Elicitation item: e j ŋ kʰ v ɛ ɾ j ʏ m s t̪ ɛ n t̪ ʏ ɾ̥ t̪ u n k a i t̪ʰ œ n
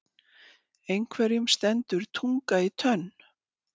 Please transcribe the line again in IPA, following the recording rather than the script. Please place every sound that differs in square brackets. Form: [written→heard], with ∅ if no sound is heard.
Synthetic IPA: e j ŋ kʰ v ɛ ɾ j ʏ m s t̪ ɛ n t̪ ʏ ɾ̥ [t̪→t̪ʰ] u [n→ŋ] k a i t̪ʰ œ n